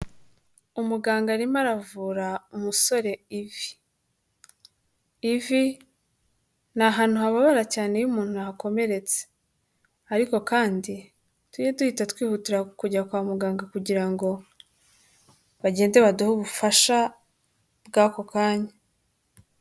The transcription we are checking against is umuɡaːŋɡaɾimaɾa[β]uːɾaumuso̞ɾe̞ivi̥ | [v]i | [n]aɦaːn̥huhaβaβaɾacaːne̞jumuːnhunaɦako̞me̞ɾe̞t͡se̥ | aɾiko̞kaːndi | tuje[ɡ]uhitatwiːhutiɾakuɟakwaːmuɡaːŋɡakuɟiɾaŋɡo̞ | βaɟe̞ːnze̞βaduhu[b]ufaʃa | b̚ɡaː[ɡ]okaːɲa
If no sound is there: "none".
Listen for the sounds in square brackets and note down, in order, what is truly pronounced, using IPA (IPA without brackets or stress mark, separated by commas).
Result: v, v, n, d, β, k